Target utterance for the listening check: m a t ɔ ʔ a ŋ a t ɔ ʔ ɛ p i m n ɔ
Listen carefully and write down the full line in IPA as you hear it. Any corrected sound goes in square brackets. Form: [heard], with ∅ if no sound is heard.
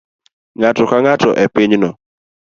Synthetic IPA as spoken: [ŋ] a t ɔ [k] a ŋ a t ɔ ʔ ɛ p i [ɲ] n ɔ